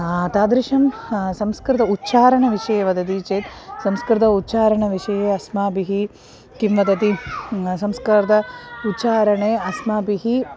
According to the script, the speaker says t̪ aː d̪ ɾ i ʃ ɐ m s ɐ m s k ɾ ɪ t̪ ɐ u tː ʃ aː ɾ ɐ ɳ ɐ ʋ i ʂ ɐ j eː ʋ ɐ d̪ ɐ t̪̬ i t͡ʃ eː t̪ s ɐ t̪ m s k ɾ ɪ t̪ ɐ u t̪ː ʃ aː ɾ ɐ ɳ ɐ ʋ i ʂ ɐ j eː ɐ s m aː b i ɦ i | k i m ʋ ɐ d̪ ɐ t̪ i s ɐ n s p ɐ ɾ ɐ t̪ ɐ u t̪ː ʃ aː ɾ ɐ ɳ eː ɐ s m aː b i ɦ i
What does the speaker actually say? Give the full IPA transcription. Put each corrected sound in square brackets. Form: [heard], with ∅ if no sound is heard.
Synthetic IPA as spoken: t̪ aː d̪ ɾ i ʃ ɐ m s ɐ m s k ɾ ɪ t̪ ɐ u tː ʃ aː ɾ ɐ ɳ ɐ ʋ i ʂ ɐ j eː ʋ ɐ d̪ ɐ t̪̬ i t͡ʃ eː t̪ s ɐ [∅] m s k ɾ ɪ t̪ ɐ u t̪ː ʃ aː ɾ ɐ ɳ ɐ ʋ i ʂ ɐ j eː ɐ s m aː b i ɦ i | k i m ʋ ɐ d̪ ɐ t̪ i s ɐ [m] s [k] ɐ ɾ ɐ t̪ ɐ u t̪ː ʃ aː ɾ ɐ ɳ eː ɐ s m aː b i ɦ i